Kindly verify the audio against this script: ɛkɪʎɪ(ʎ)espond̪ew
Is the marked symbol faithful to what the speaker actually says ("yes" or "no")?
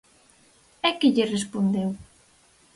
no